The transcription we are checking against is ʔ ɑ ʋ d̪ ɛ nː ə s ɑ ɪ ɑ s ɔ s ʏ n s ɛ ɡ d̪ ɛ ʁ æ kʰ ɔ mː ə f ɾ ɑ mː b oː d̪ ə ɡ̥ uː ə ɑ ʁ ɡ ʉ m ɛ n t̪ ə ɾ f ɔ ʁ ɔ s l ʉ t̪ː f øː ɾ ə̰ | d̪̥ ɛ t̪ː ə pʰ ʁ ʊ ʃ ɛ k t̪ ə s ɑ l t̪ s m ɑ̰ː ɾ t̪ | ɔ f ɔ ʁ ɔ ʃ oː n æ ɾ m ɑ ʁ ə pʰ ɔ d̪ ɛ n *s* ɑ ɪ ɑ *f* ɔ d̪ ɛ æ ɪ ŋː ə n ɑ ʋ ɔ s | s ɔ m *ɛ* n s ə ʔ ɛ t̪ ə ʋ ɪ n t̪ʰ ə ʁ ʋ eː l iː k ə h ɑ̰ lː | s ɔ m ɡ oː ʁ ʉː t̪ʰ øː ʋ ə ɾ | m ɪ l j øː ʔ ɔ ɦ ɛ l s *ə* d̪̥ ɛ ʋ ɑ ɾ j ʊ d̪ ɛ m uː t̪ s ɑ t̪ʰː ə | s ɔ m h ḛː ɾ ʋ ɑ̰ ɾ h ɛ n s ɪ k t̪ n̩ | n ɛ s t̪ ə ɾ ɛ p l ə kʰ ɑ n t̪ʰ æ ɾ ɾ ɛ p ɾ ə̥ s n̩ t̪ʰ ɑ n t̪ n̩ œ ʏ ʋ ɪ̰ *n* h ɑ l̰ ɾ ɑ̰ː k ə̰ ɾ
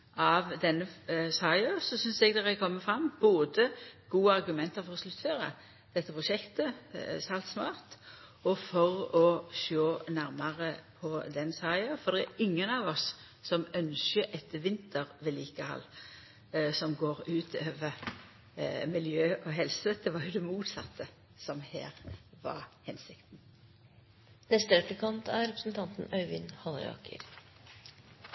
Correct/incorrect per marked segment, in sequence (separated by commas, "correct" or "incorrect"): correct, correct, incorrect, correct, correct